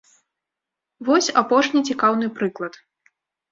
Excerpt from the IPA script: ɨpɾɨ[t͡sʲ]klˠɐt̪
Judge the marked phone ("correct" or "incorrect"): incorrect